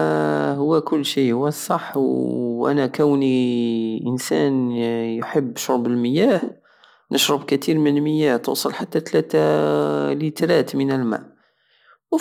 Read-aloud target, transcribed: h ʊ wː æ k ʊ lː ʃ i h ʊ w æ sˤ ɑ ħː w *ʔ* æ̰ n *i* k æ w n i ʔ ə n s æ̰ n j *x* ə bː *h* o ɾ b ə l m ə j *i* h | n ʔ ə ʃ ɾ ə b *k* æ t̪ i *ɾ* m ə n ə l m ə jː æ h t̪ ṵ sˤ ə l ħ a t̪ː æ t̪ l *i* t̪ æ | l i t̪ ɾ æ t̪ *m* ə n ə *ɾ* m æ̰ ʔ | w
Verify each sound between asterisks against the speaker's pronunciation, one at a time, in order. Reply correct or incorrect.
correct, incorrect: æ, incorrect: ħ, incorrect: ʃ, incorrect: æ, correct, correct, incorrect: æ, correct, incorrect: l

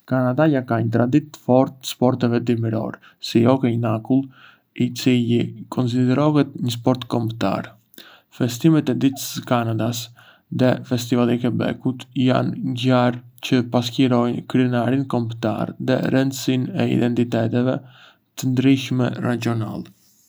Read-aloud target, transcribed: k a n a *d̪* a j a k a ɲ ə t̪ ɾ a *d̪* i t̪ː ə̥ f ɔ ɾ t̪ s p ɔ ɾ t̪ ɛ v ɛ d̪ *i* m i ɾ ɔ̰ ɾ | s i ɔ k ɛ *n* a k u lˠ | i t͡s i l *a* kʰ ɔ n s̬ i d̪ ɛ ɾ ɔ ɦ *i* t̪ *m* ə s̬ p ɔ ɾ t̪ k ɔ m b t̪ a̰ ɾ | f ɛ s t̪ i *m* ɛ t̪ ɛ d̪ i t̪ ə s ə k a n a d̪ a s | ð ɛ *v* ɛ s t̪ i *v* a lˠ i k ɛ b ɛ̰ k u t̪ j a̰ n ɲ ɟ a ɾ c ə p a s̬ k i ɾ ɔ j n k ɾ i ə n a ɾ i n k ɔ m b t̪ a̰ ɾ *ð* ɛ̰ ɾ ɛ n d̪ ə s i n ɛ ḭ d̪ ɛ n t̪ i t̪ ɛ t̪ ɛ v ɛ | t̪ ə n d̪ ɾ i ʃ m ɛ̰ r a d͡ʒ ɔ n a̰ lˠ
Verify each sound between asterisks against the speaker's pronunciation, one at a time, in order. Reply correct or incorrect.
correct, correct, correct, correct, incorrect: i, incorrect: ɛ, incorrect: ɲ, correct, incorrect: f, correct, correct

